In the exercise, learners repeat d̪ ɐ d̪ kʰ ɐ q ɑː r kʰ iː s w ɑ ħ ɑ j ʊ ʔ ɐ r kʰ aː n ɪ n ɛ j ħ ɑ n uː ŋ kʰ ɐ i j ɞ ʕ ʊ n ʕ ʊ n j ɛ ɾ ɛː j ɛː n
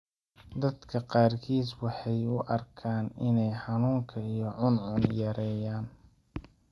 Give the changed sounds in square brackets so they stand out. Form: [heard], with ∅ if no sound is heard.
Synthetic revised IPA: d̪ ɐ d̪ kʰ ɐ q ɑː r kʰ iː s w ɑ ħ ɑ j ʊ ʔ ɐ r kʰ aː n ɪ n ɛ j ħ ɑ n uː ŋ kʰ ɐ i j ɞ ʕ ʊ n ʕ ʊ n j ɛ ɾ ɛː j [aː] n